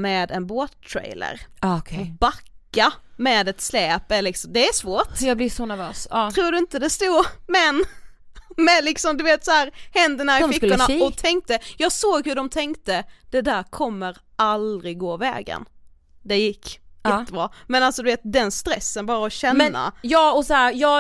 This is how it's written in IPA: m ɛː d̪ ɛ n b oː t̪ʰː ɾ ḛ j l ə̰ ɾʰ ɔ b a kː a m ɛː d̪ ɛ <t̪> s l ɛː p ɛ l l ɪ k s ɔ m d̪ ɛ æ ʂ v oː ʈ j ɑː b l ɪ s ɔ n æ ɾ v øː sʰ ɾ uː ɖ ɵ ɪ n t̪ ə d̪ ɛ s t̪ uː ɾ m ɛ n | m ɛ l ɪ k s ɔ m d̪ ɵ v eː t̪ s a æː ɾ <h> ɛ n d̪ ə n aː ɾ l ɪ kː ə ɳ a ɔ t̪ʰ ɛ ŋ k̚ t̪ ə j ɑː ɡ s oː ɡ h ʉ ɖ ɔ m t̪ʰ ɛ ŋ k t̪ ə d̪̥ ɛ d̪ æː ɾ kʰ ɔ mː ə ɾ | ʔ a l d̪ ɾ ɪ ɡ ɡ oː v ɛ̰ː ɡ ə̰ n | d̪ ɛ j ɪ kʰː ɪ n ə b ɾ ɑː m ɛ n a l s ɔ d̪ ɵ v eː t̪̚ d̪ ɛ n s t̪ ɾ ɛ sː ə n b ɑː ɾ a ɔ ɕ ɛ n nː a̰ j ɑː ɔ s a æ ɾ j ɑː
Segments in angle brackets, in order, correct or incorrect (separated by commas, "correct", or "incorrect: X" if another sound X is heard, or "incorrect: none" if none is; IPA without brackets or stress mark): correct, correct